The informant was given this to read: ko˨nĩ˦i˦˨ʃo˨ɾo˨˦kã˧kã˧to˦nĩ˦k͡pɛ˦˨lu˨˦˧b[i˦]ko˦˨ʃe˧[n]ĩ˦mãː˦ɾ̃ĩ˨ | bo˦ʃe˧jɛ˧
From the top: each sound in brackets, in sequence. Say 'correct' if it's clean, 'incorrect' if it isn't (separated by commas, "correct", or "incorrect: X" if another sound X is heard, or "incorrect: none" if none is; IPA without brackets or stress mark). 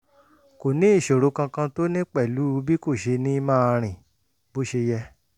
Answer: correct, correct